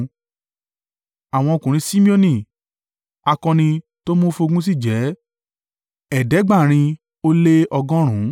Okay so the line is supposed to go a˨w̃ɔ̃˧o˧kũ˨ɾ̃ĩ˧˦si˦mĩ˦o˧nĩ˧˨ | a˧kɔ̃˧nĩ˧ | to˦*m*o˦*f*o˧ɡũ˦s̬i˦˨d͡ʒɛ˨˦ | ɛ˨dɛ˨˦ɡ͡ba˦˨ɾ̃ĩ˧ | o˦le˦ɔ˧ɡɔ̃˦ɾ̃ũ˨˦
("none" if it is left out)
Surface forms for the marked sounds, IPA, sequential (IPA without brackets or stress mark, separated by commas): m, f